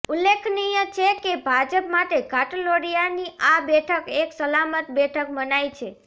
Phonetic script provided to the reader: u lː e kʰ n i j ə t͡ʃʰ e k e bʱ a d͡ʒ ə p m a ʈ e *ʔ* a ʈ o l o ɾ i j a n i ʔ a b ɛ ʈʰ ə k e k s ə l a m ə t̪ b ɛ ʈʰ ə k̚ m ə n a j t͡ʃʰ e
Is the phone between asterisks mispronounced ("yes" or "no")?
yes